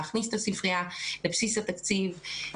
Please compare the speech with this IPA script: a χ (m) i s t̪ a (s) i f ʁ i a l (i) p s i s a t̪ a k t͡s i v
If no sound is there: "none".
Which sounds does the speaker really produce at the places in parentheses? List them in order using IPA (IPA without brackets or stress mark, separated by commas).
n, s, e